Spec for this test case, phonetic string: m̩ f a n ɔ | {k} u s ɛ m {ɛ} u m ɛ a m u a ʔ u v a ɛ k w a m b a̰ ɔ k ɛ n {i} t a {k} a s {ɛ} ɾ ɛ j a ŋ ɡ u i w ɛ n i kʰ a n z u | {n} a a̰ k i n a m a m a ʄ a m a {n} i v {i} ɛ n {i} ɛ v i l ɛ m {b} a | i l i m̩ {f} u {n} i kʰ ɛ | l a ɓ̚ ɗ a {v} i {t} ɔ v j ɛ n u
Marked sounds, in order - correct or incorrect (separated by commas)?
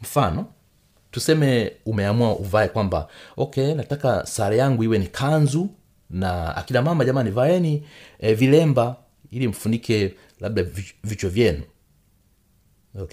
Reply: incorrect, correct, incorrect, correct, incorrect, correct, correct, incorrect, correct, correct, correct, correct, correct, incorrect